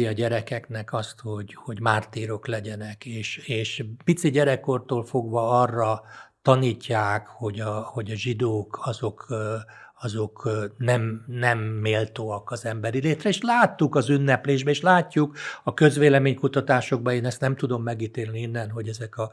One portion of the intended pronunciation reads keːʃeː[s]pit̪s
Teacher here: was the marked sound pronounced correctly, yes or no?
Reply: no